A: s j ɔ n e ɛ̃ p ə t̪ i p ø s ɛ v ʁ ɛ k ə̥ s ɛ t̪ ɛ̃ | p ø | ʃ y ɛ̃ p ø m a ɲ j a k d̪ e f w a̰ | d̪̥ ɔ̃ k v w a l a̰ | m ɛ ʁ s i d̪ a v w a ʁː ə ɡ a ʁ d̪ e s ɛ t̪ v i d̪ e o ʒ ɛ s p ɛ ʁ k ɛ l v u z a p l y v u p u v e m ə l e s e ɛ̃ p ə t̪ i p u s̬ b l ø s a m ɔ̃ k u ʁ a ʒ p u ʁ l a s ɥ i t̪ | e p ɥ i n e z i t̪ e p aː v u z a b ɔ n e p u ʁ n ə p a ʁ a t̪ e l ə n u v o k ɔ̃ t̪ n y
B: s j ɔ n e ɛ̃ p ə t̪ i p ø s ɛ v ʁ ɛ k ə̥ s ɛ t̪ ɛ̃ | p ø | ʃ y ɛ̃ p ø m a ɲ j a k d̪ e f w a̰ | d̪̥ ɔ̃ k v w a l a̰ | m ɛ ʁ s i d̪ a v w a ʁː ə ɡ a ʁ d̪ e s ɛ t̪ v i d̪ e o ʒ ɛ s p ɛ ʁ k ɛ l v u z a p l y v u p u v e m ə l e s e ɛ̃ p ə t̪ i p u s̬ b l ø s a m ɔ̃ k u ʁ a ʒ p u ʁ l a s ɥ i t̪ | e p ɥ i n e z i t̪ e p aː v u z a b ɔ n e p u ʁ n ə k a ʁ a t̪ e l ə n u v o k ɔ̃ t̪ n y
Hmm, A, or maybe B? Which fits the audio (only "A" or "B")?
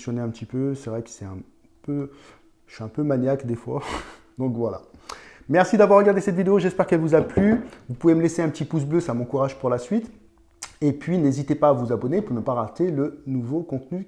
A